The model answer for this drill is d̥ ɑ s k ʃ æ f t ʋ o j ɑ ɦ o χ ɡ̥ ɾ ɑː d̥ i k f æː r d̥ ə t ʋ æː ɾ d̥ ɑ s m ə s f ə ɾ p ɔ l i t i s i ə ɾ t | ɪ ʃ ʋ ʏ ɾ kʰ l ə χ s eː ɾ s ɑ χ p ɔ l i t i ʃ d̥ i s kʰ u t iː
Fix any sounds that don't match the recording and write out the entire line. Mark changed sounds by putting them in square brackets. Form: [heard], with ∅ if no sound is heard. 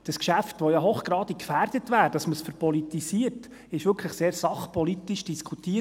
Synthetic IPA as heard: d̥ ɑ s k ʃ æ f t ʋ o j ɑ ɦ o χ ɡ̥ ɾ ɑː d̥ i k f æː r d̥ ə t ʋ æː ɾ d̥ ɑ s m ə s f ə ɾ p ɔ l i t i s i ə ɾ t | ɪ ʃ ʋ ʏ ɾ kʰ l ə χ s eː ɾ s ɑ χ p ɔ l i t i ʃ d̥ i s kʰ u t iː